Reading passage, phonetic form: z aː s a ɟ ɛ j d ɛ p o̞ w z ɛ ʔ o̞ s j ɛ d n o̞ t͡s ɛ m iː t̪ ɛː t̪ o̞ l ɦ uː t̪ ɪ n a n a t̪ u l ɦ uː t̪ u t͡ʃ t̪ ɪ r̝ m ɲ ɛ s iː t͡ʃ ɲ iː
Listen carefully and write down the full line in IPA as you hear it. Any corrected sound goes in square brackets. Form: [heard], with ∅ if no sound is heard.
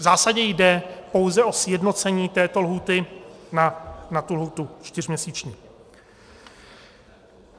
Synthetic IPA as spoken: z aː s a ɟ ɛ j d ɛ p o̞ w z ɛ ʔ o̞ s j ɛ d n o̞ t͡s ɛ [ɲ] iː t̪ ɛː t̪ o̞ l ɦ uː t̪ ɪ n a n a t̪ u l ɦ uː t̪ u t͡ʃ t̪ ɪ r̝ m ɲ ɛ s iː t͡ʃ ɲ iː

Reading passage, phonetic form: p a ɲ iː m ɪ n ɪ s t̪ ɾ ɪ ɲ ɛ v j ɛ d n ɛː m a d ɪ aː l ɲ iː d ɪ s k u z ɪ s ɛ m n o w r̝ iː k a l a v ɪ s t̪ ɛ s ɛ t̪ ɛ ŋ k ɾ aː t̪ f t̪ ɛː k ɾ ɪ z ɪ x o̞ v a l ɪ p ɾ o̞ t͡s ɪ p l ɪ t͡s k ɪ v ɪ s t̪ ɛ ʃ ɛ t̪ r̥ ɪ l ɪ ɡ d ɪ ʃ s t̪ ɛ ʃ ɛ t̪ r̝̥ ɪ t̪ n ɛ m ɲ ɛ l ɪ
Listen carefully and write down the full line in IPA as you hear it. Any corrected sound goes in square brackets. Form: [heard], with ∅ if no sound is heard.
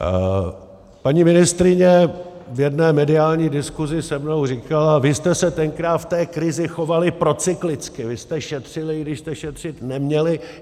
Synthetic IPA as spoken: p a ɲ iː m ɪ n ɪ s t̪ ɾ ɪ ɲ ɛ v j ɛ d n ɛː m [ɛ] d ɪ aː l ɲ iː d ɪ s k u z ɪ s ɛ m n o w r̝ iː k a l a v ɪ s t̪ ɛ s ɛ t̪ ɛ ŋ k ɾ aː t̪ f t̪ ɛː k ɾ ɪ z ɪ x o̞ v a l ɪ p ɾ o̞ t͡s ɪ [k] l ɪ t͡s k ɪ v ɪ s t̪ ɛ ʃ ɛ t̪ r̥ ɪ l ɪ ɡ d ɪ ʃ s t̪ ɛ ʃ ɛ t̪ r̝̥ ɪ t̪ n ɛ m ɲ ɛ l ɪ

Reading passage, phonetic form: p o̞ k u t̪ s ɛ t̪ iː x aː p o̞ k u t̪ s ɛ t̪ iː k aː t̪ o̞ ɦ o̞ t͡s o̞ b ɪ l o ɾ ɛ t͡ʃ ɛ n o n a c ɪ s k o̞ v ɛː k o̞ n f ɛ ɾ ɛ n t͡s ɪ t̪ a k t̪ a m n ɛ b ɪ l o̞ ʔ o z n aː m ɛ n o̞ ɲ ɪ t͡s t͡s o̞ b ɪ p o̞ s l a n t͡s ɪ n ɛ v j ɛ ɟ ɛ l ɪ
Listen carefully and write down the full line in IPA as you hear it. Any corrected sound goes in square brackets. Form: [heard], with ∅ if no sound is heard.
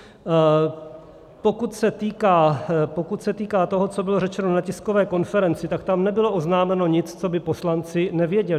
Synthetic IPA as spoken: p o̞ k u t̪ s ɛ t̪ iː [k] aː p o̞ k u t̪ s ɛ t̪ iː k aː t̪ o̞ ɦ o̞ t͡s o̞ b ɪ l o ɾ ɛ t͡ʃ ɛ n o n a c ɪ s k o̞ v ɛː k o̞ n f ɛ ɾ ɛ n t͡s ɪ t̪ a k t̪ a m n ɛ b ɪ l o̞ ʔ o z n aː m ɛ n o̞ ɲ ɪ t͡s t͡s o̞ b ɪ p o̞ s l a n t͡s ɪ n ɛ v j ɛ ɟ ɛ l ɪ

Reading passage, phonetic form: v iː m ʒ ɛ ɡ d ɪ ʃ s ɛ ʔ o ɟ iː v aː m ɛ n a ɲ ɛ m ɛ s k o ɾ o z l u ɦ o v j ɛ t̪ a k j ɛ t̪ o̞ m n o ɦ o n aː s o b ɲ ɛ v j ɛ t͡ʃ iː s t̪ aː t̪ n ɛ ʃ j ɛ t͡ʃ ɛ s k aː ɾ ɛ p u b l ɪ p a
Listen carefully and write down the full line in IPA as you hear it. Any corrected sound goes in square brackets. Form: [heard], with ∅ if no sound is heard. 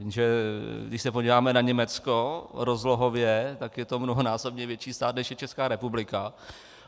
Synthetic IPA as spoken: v iː m ʒ ɛ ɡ d ɪ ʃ s ɛ [p] o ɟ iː v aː m ɛ n a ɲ ɛ m ɛ [t͡s] k o ɾ o z l [o] ɦ o v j ɛ t̪ a k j ɛ t̪ o̞ m n o ɦ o n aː s o b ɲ ɛ v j ɛ t͡ʃ iː s t̪ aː t̪ n ɛ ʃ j ɛ t͡ʃ ɛ s k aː ɾ ɛ p u b l ɪ [k] a

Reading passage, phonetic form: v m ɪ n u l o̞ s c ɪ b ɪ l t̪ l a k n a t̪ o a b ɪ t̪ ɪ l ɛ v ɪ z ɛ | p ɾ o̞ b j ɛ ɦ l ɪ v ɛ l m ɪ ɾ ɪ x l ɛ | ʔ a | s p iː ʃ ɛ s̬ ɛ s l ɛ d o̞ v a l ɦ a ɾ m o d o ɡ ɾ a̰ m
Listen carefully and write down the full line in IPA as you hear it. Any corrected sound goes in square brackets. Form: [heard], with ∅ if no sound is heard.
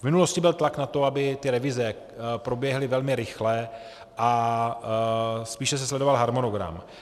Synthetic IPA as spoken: v m ɪ n u l o̞ s c ɪ b ɪ l t̪ l a k n a t̪ o a b ɪ t̪ ɪ [ɾ] ɛ v ɪ z ɛ | p ɾ o̞ b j ɛ ɦ l ɪ v ɛ l m ɪ ɾ ɪ x l ɛ | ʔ a | s p iː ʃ ɛ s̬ ɛ s l ɛ d o̞ v a l ɦ a ɾ m o [n] o ɡ ɾ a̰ m

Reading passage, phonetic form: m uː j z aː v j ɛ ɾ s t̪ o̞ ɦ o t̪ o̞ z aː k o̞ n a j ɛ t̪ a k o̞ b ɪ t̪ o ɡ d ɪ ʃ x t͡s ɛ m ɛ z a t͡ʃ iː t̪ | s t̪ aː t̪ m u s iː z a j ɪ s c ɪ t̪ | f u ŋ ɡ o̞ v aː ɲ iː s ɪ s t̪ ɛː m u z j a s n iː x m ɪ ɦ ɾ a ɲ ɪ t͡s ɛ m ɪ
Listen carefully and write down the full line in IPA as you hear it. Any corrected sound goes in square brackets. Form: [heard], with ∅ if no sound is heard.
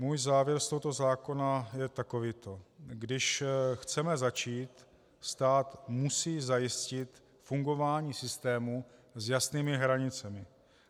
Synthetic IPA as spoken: m uː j z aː v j ɛ ɾ s t̪ o̞ ɦ o t̪ o̞ z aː k o̞ n a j ɛ t̪ a k o̞ [v] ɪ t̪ o ɡ d ɪ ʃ x t͡s ɛ m ɛ z a t͡ʃ iː t̪ | s t̪ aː t̪ m u s iː z a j ɪ s c ɪ t̪ | f u ŋ ɡ o̞ v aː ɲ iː s ɪ s t̪ ɛː m u z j a s n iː [∅] m ɪ ɦ ɾ a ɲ ɪ t͡s ɛ m ɪ

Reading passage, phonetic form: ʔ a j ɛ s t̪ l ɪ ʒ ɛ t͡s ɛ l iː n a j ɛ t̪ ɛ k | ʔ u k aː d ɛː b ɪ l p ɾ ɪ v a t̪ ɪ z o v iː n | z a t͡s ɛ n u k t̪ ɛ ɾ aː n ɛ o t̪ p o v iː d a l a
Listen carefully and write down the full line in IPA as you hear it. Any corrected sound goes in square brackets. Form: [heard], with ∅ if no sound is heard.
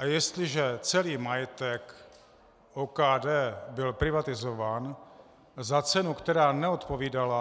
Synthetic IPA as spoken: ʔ a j ɛ s t̪ l ɪ ʒ ɛ t͡s ɛ l iː [m] a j ɛ t̪ ɛ k | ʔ [o] k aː d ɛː b ɪ l p ɾ ɪ v a t̪ ɪ z o v [aː] n | z a t͡s ɛ n u k t̪ ɛ ɾ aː n ɛ o t̪ p o v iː d a l a

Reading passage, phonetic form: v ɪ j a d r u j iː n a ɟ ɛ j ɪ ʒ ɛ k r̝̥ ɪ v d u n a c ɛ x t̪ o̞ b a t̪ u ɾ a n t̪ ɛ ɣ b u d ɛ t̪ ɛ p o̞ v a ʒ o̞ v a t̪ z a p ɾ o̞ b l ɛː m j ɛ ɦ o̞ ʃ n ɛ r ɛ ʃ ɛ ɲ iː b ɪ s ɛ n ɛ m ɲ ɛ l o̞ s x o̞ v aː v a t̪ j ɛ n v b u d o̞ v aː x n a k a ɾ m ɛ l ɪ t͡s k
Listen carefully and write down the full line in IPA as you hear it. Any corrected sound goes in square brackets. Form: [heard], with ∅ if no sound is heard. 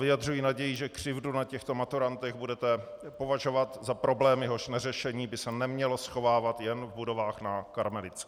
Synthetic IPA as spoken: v ɪ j a d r u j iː n a ɟ ɛ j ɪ ʒ ɛ k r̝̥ ɪ v d u n a c ɛ x t̪ o̞ [m] a t̪ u ɾ a n t̪ ɛ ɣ b u d ɛ t̪ ɛ p o̞ v a ʒ o̞ v a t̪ z a p ɾ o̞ b l ɛː m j ɛ ɦ o̞ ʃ n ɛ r ɛ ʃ ɛ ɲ iː b ɪ s ɛ n ɛ m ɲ ɛ l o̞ s x o̞ v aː v a t̪ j ɛ n v b u d o̞ v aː x n a k a ɾ m ɛ l ɪ t͡s k

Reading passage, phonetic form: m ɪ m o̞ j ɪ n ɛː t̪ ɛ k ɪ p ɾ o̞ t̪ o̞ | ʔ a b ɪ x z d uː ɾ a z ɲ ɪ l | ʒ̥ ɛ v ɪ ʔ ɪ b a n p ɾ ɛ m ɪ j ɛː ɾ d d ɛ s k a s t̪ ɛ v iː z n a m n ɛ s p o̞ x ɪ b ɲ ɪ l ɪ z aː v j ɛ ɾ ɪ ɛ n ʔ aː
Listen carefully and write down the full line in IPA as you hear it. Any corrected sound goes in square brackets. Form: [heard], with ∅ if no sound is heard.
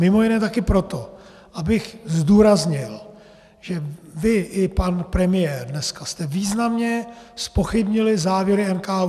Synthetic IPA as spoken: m ɪ m o̞ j ɪ n ɛː t̪ [a] k ɪ p ɾ o̞ t̪ o̞ | ʔ a b ɪ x z d uː ɾ a z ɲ ɪ l | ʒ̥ ɛ v ɪ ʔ ɪ [p] a n p ɾ ɛ m ɪ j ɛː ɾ d [n] ɛ s k a s t̪ ɛ v iː z n a m [ɲ] ɛ s p o̞ x ɪ b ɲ ɪ l ɪ z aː v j ɛ ɾ ɪ ɛ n [k] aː

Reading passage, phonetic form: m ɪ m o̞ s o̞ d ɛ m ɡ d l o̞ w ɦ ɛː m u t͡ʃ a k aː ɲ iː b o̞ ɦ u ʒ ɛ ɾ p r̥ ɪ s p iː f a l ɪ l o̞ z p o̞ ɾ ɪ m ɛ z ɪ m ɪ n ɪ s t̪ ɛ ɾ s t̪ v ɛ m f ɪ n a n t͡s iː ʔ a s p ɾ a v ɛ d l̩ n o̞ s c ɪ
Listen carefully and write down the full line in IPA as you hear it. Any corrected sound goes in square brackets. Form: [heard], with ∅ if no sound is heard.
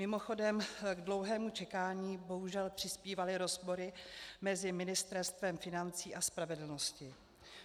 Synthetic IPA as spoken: m ɪ m o̞ [x] o̞ d ɛ m ɡ d l o̞ w ɦ ɛː m u t͡ʃ [ɛ] k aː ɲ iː b o̞ ɦ u ʒ ɛ [l] p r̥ ɪ s p iː [v] a l ɪ [ɾ] o̞ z p o̞ ɾ ɪ m ɛ z ɪ m ɪ n ɪ s t̪ ɛ ɾ s t̪ v ɛ m f ɪ n a n t͡s iː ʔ a s p ɾ a v ɛ d l̩ n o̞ s c ɪ

